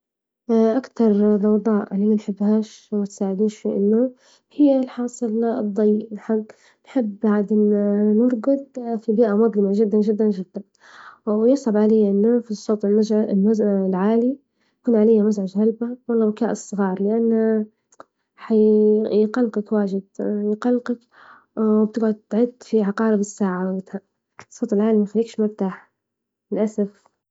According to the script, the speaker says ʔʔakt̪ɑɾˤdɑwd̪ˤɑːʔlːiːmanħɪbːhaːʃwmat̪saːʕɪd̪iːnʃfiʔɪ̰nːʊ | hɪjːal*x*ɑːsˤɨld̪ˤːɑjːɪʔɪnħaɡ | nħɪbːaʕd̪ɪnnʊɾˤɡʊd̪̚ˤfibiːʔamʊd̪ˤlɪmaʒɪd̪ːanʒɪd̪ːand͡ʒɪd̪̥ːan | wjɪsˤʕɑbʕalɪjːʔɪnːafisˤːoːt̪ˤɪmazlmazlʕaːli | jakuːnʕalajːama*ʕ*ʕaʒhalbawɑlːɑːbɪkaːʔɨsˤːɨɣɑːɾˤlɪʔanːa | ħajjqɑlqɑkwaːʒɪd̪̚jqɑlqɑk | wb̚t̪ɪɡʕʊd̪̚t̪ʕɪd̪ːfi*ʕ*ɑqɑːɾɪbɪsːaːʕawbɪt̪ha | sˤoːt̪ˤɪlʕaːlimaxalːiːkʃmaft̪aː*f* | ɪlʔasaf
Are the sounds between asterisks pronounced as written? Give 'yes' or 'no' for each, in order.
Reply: no, no, yes, no

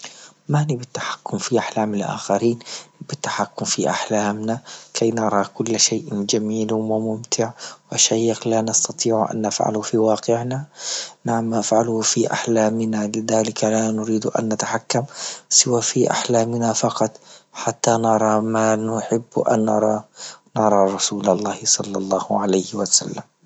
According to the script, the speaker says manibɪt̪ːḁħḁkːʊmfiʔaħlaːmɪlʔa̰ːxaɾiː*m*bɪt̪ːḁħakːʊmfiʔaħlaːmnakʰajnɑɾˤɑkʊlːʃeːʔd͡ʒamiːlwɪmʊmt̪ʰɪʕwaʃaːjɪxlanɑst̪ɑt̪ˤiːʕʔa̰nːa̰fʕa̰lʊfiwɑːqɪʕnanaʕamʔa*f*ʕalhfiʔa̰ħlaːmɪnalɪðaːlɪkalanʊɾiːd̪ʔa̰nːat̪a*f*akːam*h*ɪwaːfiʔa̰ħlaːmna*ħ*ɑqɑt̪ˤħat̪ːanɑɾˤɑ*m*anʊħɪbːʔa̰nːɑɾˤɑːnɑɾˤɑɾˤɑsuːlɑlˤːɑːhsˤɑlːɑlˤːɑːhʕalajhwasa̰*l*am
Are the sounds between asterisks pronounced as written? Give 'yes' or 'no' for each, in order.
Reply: no, yes, no, no, no, yes, no

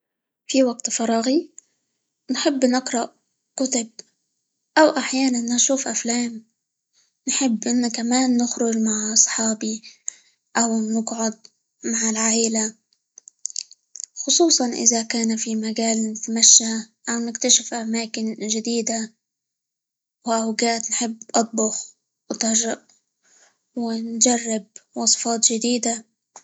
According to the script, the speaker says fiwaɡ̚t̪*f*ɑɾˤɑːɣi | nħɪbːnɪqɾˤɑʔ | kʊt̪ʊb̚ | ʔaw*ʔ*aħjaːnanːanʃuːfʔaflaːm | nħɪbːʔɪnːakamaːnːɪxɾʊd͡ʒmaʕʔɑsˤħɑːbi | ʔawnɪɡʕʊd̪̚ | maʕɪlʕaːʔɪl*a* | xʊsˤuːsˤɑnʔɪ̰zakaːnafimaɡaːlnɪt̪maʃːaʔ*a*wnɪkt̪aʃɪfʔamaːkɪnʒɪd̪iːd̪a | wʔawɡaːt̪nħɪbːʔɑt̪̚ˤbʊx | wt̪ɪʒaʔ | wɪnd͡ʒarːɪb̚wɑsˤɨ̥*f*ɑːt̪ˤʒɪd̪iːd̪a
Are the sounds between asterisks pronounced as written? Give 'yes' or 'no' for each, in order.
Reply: yes, yes, yes, yes, yes

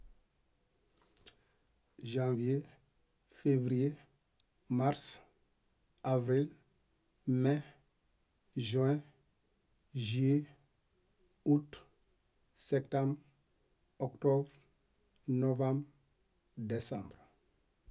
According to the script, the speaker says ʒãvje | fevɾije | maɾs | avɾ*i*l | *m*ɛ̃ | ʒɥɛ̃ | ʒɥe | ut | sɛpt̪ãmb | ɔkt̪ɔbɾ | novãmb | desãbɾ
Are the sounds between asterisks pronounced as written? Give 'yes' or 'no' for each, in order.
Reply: yes, yes

